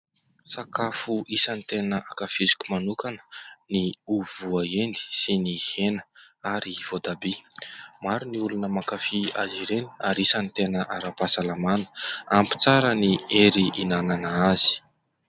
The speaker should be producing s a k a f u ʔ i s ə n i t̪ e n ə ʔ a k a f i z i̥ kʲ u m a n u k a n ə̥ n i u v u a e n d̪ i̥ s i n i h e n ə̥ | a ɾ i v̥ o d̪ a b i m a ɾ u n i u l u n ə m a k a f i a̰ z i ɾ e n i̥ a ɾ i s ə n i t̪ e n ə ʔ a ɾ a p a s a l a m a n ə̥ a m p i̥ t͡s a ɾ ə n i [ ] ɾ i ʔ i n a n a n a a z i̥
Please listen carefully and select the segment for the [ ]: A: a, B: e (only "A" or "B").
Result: B